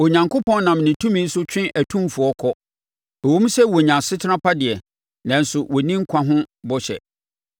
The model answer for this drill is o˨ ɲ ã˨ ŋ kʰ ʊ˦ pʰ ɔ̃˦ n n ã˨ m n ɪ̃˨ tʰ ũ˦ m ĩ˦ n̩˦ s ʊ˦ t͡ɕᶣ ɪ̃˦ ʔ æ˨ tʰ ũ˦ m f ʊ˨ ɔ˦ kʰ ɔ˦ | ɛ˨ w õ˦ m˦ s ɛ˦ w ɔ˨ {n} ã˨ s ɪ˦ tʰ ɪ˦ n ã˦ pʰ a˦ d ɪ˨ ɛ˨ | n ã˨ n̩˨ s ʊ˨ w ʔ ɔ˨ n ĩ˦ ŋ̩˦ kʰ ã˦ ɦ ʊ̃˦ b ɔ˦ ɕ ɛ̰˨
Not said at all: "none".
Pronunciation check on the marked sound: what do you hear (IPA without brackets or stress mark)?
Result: ɲ